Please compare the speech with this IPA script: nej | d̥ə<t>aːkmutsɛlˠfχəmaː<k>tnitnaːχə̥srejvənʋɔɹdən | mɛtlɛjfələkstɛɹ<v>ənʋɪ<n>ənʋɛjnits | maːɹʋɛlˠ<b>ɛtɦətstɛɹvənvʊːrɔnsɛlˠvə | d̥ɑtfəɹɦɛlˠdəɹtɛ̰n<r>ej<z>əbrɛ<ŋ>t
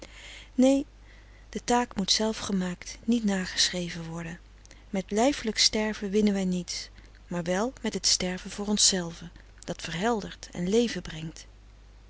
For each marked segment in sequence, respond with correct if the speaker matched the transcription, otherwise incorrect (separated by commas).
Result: correct, correct, correct, correct, incorrect, incorrect, incorrect, correct